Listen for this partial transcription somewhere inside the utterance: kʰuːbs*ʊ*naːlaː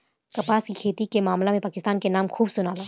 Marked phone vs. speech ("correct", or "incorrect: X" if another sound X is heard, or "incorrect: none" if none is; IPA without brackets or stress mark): correct